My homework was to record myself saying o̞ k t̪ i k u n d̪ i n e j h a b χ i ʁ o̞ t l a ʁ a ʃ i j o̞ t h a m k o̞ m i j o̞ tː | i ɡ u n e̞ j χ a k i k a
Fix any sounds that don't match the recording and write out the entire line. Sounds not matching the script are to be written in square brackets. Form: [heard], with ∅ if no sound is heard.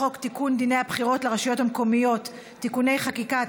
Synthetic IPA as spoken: o̞ k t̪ i k u n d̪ i n e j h a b χ i ʁ o̞ t l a ʁ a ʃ i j o̞ t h a m k o̞ m i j o̞ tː | i [k] u n e̞ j χ a k i k a

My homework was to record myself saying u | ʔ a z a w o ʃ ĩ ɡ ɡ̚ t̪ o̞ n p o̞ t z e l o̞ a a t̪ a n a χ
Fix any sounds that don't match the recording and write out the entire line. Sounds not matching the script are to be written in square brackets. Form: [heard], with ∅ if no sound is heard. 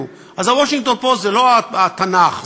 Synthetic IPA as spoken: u | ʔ a z a w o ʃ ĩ [ŋ] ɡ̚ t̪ o̞ n p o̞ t z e l o̞ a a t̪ a n a χ

